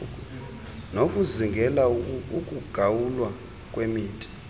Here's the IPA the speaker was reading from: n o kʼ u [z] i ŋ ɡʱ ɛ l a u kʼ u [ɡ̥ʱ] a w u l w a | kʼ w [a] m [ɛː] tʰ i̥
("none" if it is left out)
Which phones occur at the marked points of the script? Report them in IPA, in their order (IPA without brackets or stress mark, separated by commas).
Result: z, ɡ̥ʱ, e, iː